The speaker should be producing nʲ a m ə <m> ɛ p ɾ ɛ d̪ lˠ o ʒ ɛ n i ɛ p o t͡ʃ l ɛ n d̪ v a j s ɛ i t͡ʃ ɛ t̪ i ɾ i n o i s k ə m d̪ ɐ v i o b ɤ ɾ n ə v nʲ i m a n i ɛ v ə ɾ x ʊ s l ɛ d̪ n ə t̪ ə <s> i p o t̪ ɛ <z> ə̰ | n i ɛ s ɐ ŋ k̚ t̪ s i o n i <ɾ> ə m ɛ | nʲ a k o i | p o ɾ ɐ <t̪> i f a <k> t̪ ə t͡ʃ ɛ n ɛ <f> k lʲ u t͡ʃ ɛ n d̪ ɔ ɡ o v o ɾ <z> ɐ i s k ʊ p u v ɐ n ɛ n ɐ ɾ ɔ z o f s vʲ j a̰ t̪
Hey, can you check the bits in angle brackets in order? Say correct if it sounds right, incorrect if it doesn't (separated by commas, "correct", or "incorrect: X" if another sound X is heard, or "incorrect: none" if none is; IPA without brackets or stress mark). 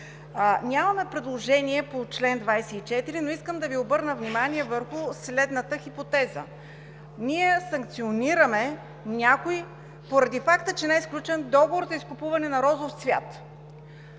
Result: correct, incorrect: x, correct, correct, incorrect: d̪, correct, incorrect: s, correct